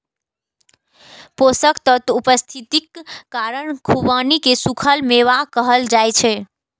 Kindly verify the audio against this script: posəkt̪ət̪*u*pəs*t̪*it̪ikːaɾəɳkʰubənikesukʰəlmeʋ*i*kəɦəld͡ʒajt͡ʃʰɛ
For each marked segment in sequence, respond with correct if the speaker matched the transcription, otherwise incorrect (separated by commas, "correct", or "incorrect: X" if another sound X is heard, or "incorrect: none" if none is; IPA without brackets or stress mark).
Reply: correct, incorrect: t̪ʰ, incorrect: a